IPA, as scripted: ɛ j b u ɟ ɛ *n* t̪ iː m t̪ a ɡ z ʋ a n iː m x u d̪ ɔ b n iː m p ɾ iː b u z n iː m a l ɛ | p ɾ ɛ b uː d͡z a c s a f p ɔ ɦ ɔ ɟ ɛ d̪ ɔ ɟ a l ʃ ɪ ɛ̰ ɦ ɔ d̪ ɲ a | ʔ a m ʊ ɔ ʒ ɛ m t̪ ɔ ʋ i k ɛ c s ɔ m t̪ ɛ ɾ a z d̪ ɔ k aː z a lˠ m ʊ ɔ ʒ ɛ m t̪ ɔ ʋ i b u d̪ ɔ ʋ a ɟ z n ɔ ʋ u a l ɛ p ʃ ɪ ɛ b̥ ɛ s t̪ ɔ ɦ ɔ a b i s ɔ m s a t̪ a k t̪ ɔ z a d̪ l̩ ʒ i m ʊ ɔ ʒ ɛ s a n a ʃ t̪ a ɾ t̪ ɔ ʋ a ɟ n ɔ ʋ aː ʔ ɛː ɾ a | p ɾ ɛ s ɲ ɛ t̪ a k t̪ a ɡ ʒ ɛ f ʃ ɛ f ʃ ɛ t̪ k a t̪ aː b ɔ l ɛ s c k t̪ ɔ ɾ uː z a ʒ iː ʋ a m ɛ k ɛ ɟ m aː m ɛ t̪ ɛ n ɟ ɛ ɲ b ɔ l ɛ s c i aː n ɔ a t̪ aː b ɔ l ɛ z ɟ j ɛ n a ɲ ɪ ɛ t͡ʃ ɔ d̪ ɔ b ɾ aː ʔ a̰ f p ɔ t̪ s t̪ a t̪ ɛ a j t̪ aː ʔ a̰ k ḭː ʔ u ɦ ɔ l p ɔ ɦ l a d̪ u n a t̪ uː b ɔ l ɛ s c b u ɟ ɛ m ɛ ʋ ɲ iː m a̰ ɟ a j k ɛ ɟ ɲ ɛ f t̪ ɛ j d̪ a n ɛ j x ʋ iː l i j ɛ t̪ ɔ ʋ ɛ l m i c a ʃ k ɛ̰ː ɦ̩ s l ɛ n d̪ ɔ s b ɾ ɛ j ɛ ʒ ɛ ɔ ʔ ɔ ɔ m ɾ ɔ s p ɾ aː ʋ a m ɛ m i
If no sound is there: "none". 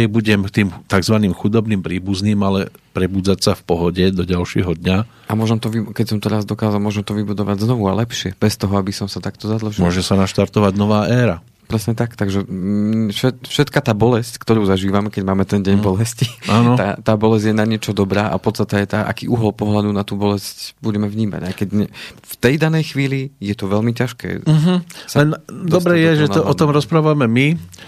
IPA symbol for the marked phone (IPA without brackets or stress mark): m